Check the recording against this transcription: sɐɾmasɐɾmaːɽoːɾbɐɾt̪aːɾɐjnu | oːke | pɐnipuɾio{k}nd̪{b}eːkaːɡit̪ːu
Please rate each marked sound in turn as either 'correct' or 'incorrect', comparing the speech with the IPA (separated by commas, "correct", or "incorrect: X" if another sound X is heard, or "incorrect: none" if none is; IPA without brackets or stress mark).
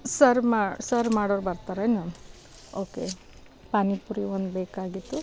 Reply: incorrect: none, correct